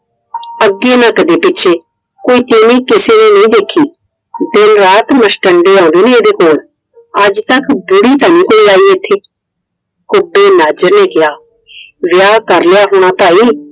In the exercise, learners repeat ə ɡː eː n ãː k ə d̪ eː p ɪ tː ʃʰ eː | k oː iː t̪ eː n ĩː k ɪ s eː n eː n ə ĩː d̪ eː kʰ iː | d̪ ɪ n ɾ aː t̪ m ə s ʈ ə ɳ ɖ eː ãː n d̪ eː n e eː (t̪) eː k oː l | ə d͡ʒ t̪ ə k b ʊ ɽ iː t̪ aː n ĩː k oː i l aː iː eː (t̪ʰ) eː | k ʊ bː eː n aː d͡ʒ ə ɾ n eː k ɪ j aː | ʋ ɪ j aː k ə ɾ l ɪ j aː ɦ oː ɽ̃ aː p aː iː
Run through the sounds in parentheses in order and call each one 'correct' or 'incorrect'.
incorrect: d̪, correct

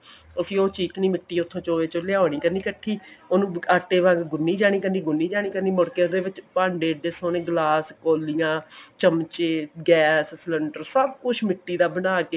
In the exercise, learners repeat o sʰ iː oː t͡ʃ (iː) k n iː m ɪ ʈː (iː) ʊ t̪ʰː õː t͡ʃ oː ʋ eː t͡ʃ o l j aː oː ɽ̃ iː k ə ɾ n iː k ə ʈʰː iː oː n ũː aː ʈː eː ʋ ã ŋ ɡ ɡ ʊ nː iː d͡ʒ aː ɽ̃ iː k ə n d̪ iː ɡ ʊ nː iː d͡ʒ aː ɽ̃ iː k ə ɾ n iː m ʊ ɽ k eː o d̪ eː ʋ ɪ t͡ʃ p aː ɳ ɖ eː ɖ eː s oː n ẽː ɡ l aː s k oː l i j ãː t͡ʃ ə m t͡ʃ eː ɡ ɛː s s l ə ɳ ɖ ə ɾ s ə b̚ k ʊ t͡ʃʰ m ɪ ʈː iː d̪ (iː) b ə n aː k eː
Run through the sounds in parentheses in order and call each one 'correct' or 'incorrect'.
correct, correct, incorrect: aː

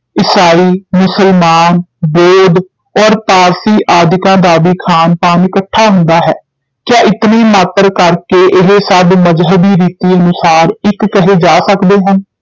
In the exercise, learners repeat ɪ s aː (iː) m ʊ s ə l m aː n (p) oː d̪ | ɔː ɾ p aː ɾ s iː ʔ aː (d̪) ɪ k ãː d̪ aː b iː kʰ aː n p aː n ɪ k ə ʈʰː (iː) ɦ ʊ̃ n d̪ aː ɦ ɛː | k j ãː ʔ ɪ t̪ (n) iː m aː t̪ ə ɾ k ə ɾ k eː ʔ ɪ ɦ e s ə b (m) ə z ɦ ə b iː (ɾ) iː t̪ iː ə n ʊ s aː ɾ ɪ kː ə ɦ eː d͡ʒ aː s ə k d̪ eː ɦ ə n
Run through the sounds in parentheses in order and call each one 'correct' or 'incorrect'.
correct, incorrect: b, correct, incorrect: aː, correct, correct, correct

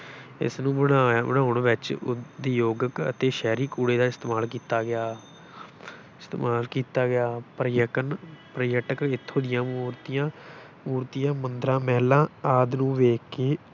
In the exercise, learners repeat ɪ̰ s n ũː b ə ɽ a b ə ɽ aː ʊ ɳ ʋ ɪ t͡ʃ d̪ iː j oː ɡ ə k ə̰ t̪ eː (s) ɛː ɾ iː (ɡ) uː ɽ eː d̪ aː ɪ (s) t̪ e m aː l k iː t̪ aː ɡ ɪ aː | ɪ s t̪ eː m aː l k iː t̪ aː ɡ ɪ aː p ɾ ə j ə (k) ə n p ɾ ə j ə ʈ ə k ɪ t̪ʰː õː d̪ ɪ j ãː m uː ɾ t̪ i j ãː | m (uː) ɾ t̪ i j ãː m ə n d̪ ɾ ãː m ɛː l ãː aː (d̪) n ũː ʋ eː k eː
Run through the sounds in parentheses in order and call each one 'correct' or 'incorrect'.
incorrect: ʃ, incorrect: k, correct, correct, correct, correct

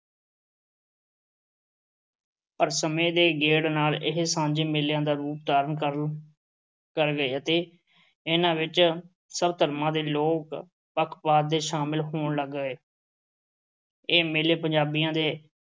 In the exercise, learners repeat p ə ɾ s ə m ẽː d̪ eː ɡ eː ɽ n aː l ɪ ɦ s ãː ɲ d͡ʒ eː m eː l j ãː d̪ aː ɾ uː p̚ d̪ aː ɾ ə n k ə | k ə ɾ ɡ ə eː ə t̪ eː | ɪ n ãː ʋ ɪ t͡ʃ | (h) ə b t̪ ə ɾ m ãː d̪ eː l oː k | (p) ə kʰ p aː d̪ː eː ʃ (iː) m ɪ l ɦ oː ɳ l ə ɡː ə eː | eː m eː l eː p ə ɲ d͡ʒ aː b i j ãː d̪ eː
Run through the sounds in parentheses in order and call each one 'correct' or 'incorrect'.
incorrect: s, correct, incorrect: aː

